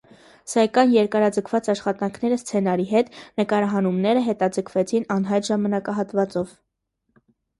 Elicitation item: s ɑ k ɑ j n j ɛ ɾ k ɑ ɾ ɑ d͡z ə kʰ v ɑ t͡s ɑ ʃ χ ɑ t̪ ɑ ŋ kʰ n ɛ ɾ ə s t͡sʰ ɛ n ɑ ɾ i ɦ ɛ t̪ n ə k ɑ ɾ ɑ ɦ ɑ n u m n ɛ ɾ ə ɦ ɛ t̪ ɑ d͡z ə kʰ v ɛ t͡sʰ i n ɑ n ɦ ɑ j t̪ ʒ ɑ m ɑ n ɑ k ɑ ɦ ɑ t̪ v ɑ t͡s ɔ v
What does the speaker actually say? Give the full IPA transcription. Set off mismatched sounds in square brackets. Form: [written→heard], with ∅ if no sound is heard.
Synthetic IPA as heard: s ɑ k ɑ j n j ɛ ɾ k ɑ ɾ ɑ d͡z ə kʰ v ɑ t͡s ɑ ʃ χ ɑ t̪ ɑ ŋ kʰ n ɛ ɾ ə s t͡sʰ ɛ n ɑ ɾ i ɦ ɛ t̪ n ə k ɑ ɾ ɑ ɦ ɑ n u m n ɛ ɾ ə ɦ ɛ t̪ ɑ d͡z ə kʰ v ɛ t͡sʰ i n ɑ n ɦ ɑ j t̪ ʒ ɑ m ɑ n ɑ k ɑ ɦ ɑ t̪ v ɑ t͡s ɔ v